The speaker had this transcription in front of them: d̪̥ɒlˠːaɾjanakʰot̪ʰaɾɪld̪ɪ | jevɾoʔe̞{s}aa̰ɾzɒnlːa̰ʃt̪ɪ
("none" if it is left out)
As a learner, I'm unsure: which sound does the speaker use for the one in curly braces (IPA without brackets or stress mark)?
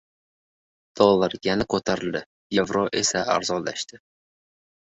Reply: s